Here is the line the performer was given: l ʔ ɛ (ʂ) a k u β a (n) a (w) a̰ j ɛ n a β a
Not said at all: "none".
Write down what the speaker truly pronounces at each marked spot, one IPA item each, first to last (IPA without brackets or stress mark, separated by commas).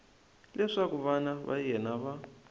ʂ, n, β